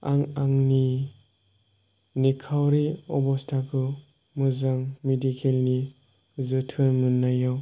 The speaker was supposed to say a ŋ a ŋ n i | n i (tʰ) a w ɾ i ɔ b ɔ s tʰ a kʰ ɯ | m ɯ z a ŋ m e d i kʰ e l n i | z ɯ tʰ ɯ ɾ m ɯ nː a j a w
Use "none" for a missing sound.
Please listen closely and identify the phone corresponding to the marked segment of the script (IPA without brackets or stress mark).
kʰ